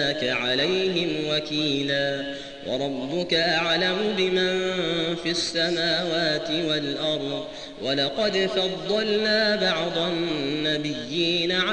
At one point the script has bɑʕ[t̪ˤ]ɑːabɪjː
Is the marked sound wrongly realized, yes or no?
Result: yes